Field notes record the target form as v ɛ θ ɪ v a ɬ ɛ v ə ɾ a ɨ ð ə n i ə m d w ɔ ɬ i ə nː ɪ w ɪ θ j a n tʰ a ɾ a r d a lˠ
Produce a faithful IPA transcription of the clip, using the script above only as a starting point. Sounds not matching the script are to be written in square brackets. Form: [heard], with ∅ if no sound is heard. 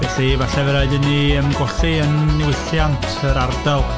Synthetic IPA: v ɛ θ [i] v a ɬ ɛ v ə ɾ a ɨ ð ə n i ə m [ɡ] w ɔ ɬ i ə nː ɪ w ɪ θ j a n tʰ [ə] ɾ a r d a lˠ